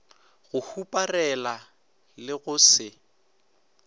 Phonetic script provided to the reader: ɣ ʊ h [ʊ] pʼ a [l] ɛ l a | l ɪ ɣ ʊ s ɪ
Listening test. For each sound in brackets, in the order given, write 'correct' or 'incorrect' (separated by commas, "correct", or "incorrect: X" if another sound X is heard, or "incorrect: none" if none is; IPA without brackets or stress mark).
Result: incorrect: u, incorrect: r